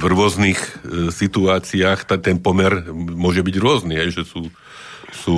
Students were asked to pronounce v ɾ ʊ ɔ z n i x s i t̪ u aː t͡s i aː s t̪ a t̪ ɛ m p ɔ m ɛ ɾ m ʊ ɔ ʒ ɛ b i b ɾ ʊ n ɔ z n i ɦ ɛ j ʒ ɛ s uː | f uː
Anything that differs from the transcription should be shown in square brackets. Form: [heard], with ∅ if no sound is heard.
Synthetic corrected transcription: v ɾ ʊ ɔ z n i x s i t̪ u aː t͡s i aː [x] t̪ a t̪ ɛ [n] p ɔ m ɛ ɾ m ʊ ɔ ʒ ɛ b i [ɟ] ɾ ʊ [∅] ɔ z n i ɦ ɛ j ʒ ɛ s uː | [s] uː